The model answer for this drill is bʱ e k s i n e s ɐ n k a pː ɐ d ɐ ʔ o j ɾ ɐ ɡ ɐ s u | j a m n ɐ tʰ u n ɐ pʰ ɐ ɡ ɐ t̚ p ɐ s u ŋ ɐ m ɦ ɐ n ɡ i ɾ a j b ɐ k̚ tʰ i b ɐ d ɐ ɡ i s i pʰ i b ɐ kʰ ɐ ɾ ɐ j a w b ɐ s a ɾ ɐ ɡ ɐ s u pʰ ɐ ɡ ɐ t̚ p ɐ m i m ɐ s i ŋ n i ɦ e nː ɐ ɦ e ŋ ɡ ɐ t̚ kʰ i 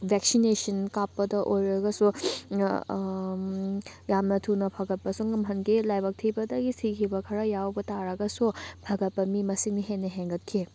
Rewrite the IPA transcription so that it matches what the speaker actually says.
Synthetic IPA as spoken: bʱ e k s i n e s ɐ n k a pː ɐ d ɐ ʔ o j ɾ ɐ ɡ ɐ s u | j a m n ɐ tʰ u n ɐ pʰ ɐ ɡ ɐ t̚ p ɐ s u ŋ ɐ m ɦ ɐ n ɡ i l a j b ɐ k̚ tʰ i b ɐ d ɐ ɡ i s i kʰ i b ɐ kʰ ɐ ɾ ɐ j a w b ɐ t a ɾ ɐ ɡ ɐ s u pʰ ɐ ɡ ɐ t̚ p ɐ m i m ɐ s i ŋ n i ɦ e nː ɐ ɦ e ŋ ɡ ɐ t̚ kʰ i

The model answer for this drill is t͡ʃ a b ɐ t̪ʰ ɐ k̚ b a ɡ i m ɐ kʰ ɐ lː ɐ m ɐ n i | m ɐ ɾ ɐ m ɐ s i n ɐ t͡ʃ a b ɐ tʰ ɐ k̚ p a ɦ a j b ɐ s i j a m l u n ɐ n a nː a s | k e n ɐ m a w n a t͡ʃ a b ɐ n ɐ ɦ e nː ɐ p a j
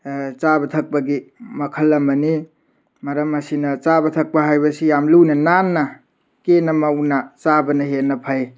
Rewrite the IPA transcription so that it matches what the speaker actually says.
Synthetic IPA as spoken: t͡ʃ a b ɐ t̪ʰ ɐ k̚ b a ɡ i m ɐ kʰ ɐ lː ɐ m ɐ n i | m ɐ ɾ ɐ m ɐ s i n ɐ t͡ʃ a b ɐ tʰ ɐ k̚ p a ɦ a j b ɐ s i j a m l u n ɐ n a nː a | k e n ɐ m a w n a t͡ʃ a b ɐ n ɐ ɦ e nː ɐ pʰ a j

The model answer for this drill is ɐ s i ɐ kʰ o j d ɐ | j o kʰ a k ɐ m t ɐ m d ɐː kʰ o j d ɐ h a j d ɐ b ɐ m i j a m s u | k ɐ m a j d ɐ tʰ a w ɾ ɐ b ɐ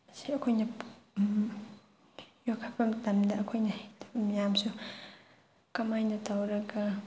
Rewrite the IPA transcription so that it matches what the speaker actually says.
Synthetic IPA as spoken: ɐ s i ɐ kʰ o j n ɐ | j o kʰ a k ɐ m t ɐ m d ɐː kʰ o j n ɐ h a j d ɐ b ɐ m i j a m s u | k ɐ m a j n ɐ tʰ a w ɾ ɐ ɡ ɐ

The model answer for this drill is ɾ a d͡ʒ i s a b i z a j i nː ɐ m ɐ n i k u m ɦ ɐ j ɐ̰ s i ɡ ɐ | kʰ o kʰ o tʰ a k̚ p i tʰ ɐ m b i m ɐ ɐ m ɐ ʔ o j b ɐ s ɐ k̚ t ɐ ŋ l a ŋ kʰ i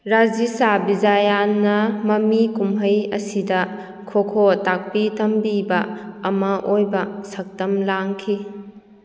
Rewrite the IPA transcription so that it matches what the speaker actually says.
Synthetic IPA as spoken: ɾ a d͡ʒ i s a b i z a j a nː ɐ m ɐ m i k u m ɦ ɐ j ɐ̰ s i d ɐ | kʰ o kʰ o t a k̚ p i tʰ ɐ m b i b ɐ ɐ m ɐ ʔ o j b ɐ s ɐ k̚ t ɐ m l a ŋ kʰ i

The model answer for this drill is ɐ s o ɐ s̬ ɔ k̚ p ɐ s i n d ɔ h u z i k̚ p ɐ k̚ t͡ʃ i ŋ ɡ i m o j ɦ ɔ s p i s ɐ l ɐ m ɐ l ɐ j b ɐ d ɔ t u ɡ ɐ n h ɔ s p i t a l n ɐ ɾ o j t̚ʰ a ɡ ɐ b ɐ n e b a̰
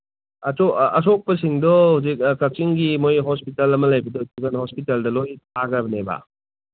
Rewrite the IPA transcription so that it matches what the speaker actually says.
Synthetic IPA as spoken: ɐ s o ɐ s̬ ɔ k̚ p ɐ s i ŋ d ɔ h u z i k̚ k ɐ k̚ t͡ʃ i ŋ ɡ i m o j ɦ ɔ s p i t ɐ l ɐ m ɐ l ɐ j b ɐ d ɔ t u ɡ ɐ n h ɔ s p i t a l d ɐ l o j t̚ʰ a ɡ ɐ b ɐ n e b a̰

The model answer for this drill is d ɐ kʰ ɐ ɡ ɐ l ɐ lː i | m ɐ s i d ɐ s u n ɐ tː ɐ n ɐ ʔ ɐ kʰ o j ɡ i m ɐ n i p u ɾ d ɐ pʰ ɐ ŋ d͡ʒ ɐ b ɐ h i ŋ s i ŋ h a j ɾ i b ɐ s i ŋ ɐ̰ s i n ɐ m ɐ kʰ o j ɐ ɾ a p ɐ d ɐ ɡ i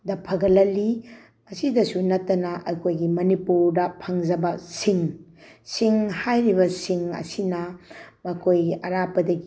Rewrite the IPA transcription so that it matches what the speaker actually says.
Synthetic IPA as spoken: d ɐ pʰ ɐ ɡ ɐ l ɐ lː i | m ɐ s i d ɐ s u n ɐ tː ɐ n ɐ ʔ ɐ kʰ o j ɡ i m ɐ n i p u ɾ d ɐ pʰ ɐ ŋ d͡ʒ ɐ b ɐ s i ŋ s i ŋ h a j ɾ i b ɐ s i ŋ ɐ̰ s i n ɐ m ɐ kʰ o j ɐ ɾ a p ɐ d ɐ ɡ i

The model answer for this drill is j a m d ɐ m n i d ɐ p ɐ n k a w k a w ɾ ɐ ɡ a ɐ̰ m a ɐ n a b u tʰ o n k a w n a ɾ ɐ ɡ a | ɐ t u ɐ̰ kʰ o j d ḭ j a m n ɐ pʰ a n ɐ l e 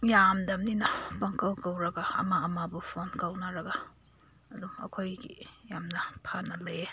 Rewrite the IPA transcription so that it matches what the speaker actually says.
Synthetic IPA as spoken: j a m d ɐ m n i n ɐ p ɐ ŋ k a w k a w ɾ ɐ ɡ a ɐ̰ m a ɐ m a b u pʰ o n k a w n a ɾ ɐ ɡ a | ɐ d u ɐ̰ kʰ o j ɡ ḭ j a m n ɐ pʰ a n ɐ l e

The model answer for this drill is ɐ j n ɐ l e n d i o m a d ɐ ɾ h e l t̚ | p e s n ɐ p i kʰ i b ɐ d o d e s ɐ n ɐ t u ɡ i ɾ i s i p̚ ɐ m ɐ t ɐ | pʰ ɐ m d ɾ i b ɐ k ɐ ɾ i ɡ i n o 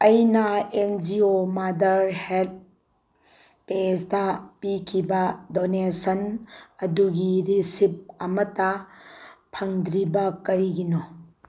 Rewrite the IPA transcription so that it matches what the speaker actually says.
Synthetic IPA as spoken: ɐ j n ɐ e n d͡ʒ i o m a d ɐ ɾ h e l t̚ | p e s d ɐ p i kʰ i b ɐ d o n e s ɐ n ɐ d u ɡ i ɾ i s i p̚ ɐ m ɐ t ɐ | pʰ ɐ ŋ d ɾ i b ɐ k ɐ ɾ i ɡ i n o

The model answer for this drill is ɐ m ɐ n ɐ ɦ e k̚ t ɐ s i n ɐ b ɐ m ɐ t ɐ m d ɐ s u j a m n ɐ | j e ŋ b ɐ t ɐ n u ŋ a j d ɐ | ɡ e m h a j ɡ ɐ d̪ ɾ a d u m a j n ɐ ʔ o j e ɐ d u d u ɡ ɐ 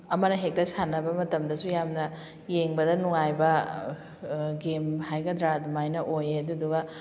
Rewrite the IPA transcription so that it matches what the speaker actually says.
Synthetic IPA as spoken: ɐ m ɐ n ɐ ɦ e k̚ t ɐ s a n ɐ b ɐ m ɐ t ɐ m d ɐ s u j a m n ɐ | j e ŋ b ɐ d ɐ n u ŋ a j b ɐ | ɡ e m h a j ɡ ɐ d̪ ɾ a d u m a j n ɐ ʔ o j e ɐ d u d u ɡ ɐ

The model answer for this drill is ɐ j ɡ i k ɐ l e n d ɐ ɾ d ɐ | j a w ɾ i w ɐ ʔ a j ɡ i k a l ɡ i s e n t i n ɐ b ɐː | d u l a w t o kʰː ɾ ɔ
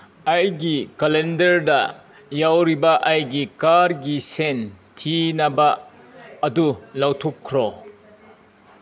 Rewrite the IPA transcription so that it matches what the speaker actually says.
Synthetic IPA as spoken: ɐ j ɡ i k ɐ l e n d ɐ ɾ d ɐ | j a w ɾ i b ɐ ʔ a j ɡ i k a ɾ ɡ i s e n tʰ i n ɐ b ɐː | d u l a w tʰ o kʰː ɾ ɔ

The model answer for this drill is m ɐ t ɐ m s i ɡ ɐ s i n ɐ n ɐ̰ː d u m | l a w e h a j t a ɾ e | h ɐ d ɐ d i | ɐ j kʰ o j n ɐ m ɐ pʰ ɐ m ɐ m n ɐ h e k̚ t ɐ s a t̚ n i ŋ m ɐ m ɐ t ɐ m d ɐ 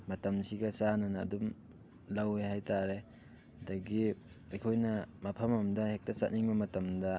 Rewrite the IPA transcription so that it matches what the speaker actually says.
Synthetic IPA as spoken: m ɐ t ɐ m s i ɡ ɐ s a n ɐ n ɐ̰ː d u m | l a w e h a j t a ɾ e | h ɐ d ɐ ɡ i | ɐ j kʰ o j n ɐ m ɐ pʰ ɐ m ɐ m d ɐ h e k̚ t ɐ s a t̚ n i ŋ b ɐ m ɐ t ɐ m d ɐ

